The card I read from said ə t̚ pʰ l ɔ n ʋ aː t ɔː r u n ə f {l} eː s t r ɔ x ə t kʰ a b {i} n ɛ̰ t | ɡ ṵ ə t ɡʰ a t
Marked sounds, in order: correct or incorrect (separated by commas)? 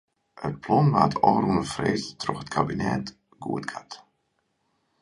incorrect, correct